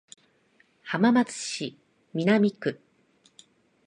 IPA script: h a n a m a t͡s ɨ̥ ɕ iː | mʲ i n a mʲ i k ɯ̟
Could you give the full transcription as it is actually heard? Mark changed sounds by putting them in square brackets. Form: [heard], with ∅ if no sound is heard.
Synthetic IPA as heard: h a [m] a m a t͡s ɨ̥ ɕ [i] | mʲ i n a mʲ i k ɯ̟